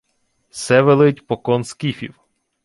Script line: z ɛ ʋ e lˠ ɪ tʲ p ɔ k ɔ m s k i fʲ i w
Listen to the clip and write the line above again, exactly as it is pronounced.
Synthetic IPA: s ɛ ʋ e lˠ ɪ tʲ p ɔ k ɔ n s k i fʲ i w